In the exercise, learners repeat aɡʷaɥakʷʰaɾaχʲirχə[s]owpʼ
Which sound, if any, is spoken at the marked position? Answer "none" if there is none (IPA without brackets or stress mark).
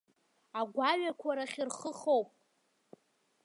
χ